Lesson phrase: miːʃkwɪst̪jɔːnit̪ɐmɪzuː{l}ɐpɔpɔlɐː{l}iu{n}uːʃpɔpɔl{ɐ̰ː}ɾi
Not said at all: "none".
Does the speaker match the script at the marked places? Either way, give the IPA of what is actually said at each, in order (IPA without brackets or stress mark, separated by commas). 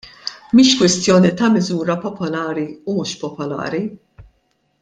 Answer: ɾ, ɾ, m, ɐ̰ː